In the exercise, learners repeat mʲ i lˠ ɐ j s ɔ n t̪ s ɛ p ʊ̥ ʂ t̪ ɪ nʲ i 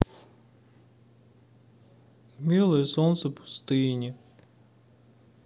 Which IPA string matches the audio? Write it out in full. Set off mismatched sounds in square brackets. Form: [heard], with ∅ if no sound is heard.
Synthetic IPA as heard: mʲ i lˠ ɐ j s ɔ n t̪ s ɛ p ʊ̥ [s] t̪ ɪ nʲ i